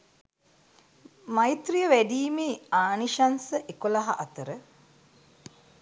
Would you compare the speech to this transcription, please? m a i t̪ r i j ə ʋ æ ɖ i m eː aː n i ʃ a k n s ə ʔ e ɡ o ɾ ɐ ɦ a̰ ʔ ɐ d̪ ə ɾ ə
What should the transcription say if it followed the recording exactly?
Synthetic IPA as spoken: m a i t̪ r i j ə ʋ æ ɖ iː m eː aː n i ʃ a n s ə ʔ e k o l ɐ ɦ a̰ ʔ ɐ t̪ ə ɾ ə